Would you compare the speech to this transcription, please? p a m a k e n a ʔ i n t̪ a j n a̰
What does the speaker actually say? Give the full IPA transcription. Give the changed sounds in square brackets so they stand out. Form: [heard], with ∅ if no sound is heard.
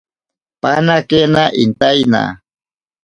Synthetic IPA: p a [n] a k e n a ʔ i n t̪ a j n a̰